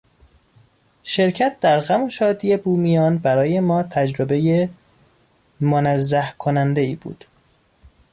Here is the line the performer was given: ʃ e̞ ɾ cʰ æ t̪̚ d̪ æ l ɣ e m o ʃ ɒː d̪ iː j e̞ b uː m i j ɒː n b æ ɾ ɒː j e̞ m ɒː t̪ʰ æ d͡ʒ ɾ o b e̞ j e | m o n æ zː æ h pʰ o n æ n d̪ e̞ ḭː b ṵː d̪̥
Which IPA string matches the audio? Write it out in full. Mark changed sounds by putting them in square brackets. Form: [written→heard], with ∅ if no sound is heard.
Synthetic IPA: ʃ e̞ ɾ cʰ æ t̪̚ d̪ æ [l→ɾ] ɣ [e→æ] m o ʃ ɒː d̪ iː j e̞ b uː m i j ɒː n b æ ɾ ɒː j e̞ m ɒː t̪ʰ æ d͡ʒ ɾ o b e̞ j e | m o n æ zː æ h [pʰ→kʰ] o n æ n d̪ e̞ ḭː b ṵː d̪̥